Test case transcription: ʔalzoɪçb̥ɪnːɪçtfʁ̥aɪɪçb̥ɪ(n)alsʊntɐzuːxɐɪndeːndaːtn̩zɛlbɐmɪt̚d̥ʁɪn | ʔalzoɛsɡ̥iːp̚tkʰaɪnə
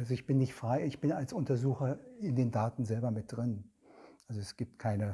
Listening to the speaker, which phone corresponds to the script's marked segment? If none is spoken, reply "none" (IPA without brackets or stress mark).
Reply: n